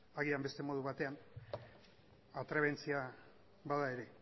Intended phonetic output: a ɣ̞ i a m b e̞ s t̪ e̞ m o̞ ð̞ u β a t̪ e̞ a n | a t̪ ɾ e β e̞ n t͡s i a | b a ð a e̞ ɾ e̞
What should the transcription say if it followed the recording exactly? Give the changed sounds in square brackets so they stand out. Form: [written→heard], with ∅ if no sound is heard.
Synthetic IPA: a ɣ̞ i a m b e̞ s t̪ e̞ m o̞ ð̞ u β a t̪ e̞ a n | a t̪ ɾ e β e̞ n t͡s i a | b a ð a e̞ ɾ e̞